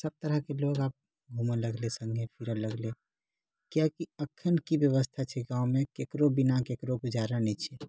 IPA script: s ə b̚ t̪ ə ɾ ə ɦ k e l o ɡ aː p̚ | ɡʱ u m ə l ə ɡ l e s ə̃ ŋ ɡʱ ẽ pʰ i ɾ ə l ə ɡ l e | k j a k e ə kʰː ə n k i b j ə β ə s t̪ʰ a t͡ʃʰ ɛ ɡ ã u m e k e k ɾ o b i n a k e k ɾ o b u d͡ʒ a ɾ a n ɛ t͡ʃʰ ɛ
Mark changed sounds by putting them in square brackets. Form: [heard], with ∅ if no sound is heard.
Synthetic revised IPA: s ə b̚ t̪ ə ɾ ə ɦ k e l o ɡ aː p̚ | ɡʱ u m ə l ə ɡ l e s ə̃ ŋ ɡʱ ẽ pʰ i ɾ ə l ə ɡ l e | k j a k [i] ə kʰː ə n k i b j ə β ə s t̪ʰ a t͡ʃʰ ɛ ɡ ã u m e k e k ɾ o b i n a k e k ɾ o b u d͡ʒ a ɾ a n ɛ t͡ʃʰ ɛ